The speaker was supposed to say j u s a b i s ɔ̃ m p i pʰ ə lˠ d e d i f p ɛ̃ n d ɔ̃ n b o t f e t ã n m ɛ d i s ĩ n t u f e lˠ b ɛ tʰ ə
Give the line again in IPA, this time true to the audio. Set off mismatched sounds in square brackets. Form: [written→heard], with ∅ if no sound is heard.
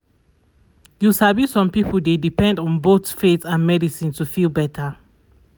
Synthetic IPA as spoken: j u s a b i s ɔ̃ m p i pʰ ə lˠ d e d i [f→∅] p ɛ̃ n d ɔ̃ n b o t f e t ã n m ɛ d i s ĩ n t u f [e→i] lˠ b ɛ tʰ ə

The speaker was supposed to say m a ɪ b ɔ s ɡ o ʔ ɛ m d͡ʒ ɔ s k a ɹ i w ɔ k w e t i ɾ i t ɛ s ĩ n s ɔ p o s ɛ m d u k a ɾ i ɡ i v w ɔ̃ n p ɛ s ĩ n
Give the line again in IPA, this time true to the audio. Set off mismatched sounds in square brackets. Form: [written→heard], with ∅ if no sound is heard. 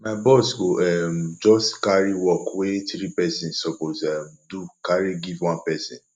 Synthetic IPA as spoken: m a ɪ b ɔ s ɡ o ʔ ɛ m d͡ʒ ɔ s k a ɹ i w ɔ k w e t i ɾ i [t→p] ɛ s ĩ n s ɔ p o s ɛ m d u k a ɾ i ɡ i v w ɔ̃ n p ɛ s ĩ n

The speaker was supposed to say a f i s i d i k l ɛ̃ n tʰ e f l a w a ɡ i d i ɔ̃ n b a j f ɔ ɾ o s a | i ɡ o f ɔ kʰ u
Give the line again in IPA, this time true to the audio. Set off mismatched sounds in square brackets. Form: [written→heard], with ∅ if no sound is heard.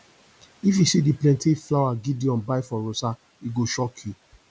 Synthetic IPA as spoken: [a→i] f i s i d i [k→p] l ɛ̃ n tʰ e f l a w a ɡ i d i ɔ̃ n b a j f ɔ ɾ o s a | i ɡ o [f→ʃ] ɔ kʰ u

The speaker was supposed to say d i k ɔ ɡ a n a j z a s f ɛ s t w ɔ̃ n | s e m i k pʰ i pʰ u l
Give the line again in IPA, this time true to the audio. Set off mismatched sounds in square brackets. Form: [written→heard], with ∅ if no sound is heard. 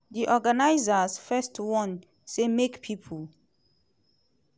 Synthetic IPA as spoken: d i [k→ʔ] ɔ ɡ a n a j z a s f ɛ s t w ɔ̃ n | s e m [i→e] k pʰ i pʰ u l

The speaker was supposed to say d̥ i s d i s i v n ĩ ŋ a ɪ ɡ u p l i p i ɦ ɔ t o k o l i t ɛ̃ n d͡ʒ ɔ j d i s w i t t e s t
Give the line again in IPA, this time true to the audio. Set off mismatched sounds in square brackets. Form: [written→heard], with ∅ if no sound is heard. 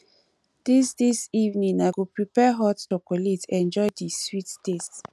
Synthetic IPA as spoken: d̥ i s d i s i v n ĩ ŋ a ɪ ɡ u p [l→ɹ] i p [i→ɛ] ɦ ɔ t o k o l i t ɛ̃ n d͡ʒ ɔ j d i s w i t t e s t

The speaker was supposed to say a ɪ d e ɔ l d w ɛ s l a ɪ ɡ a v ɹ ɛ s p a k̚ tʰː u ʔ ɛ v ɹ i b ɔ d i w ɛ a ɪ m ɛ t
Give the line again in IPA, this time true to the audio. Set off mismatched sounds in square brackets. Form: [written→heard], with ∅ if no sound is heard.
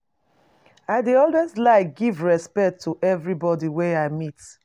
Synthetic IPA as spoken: a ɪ d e ɔ l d w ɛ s l a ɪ ɡ [a→i] v ɹ ɛ s p [a→ɛ] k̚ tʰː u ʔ ɛ v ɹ i b ɔ d i w ɛ a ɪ m [ɛ→i] t

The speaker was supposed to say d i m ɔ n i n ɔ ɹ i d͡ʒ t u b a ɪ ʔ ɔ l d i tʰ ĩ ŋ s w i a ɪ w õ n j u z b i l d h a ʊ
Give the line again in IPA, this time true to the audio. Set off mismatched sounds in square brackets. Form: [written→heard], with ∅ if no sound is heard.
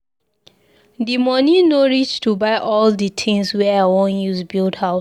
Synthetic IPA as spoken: d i m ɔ n i n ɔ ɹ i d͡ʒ t u b a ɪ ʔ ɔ l d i tʰ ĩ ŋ s w [i→ɛ] a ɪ w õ n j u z b i l d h a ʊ

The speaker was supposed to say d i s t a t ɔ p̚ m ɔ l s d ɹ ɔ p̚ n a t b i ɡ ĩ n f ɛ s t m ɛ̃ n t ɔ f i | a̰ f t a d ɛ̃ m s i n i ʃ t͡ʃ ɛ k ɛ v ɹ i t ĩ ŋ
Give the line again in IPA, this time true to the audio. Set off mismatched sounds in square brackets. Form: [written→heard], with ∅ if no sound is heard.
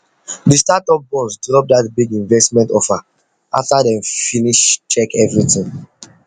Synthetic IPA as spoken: d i s t a t ɔ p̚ [m→b] ɔ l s d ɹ ɔ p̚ [n→d] a t b i ɡ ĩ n [f→v] ɛ s t m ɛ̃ n t ɔ f [i→a] | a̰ f t a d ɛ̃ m [s→f] i n i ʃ t͡ʃ ɛ k ɛ v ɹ i t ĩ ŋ

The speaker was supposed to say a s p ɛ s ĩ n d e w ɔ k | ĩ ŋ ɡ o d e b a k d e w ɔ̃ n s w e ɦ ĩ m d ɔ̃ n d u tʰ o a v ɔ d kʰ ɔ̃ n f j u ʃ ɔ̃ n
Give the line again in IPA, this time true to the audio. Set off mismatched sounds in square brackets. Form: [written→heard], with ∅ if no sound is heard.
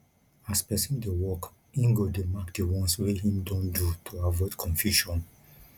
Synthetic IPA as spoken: a s p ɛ s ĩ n d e w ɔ k | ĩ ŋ ɡ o d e [b→m] a k d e w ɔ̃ n s w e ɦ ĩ m d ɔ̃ n d u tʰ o a v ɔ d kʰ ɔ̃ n f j u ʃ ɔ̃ n

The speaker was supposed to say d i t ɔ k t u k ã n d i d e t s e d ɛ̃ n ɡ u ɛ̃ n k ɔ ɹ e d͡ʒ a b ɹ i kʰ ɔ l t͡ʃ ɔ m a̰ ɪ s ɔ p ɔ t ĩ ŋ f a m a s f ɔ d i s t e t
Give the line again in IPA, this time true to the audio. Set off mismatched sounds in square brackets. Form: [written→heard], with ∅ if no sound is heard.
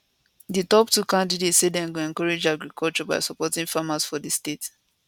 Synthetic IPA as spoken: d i t ɔ [k→p] t u k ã n d i d e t s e d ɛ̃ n ɡ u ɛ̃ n k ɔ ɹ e d͡ʒ a [b→ɡ] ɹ i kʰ ɔ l t͡ʃ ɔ [m→b] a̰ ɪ s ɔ p ɔ t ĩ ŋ f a m a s f ɔ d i s t e t

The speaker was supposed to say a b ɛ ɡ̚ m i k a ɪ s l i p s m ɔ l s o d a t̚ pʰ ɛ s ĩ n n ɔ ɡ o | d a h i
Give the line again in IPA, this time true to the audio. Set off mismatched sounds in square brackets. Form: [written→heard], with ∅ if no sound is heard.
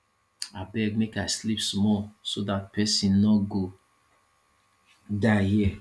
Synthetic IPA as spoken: a b ɛ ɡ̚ m [i→e] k a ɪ s l i p s m ɔ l s o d a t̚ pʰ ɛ s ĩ n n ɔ ɡ o | d a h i

